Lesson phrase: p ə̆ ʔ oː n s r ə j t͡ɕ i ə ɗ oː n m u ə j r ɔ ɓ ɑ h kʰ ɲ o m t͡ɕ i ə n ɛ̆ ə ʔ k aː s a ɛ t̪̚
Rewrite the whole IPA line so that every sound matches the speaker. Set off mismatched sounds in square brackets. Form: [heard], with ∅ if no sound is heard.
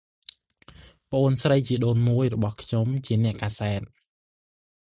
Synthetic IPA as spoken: p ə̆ ʔ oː n s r ə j t͡ɕ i ə ɗ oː n m u ə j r ɔ ɓ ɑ h kʰ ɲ o m t͡ɕ i ə n ɛ̆ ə ʔ k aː s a ɛ t̪̚